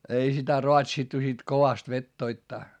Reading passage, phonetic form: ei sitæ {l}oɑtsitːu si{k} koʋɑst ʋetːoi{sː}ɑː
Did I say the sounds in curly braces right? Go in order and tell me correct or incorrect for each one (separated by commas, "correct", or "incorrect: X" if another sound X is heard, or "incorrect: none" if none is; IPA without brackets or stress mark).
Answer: incorrect: r, incorrect: t, incorrect: tː